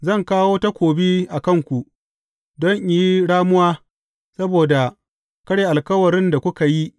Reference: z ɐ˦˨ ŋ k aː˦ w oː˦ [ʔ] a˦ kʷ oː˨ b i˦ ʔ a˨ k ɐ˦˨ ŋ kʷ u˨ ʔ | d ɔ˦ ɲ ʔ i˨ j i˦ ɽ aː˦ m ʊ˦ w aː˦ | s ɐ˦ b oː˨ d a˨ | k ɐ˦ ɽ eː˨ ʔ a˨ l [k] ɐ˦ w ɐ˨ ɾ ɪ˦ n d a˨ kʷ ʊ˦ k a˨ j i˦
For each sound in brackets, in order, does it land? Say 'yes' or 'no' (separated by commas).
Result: no, yes